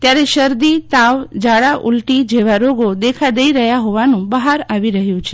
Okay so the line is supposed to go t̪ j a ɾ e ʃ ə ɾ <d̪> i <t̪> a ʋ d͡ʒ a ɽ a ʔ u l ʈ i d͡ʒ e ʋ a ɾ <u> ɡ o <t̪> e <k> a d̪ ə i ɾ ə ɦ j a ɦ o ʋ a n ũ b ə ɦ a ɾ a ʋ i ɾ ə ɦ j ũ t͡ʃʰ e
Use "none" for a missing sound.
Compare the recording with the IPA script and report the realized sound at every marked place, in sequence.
d̪, t̪, o, d̪, kʰ

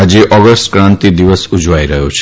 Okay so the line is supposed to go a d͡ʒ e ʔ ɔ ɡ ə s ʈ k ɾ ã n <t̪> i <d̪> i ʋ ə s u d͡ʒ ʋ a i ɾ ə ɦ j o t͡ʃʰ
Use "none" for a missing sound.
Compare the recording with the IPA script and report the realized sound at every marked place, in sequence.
t̪, d̪

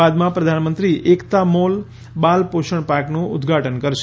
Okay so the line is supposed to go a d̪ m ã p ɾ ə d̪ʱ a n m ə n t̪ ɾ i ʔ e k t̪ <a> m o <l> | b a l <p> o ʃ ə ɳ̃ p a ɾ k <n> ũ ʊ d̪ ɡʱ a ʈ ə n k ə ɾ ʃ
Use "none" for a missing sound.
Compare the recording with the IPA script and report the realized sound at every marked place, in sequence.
a, l, p, n

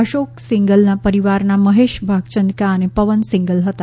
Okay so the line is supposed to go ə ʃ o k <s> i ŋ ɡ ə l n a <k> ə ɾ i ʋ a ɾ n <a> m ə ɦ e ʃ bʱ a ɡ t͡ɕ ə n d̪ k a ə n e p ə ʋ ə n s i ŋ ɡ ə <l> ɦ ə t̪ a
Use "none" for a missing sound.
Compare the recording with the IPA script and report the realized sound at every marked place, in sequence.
s, p, a, l

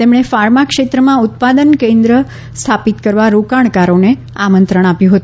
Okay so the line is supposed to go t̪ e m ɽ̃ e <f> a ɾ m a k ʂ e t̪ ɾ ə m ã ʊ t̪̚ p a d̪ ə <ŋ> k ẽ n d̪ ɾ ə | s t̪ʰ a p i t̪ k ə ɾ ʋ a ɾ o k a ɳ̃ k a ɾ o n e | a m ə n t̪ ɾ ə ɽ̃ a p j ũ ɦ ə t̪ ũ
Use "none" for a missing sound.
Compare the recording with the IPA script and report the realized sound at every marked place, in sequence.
f, n

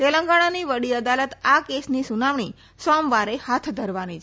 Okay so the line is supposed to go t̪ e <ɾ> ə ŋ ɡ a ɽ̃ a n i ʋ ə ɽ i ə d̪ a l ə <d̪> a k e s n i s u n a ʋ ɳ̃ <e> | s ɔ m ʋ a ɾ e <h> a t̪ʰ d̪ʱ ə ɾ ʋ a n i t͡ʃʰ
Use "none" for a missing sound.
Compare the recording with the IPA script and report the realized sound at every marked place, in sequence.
l, t̪, i, h

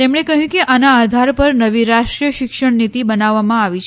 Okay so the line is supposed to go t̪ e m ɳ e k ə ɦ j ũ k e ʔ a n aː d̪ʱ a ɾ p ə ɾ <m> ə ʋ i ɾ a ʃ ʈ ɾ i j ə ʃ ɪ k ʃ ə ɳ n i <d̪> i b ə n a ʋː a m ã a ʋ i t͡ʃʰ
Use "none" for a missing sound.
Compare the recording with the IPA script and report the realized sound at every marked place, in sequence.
n, t̪

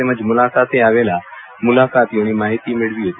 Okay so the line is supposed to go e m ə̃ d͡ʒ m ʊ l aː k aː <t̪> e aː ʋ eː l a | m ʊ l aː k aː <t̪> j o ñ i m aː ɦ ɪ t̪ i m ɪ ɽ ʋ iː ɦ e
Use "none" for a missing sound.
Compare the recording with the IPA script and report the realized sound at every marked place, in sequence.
t̪, t̪

